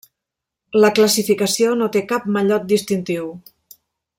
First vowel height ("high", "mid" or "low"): mid